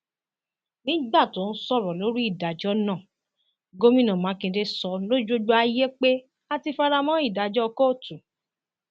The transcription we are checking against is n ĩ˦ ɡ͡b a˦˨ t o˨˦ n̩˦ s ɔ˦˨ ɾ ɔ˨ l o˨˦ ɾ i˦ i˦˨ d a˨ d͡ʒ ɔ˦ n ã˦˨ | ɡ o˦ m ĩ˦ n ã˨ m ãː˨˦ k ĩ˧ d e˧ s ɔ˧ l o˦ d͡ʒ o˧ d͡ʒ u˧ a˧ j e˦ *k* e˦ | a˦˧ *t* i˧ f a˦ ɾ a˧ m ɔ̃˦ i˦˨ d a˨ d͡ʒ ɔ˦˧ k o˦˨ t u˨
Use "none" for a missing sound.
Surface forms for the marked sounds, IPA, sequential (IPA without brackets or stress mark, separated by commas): k͡p, t